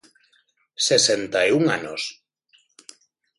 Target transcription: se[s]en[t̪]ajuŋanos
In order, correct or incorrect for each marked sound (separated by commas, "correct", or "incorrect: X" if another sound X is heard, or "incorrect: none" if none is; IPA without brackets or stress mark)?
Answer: correct, correct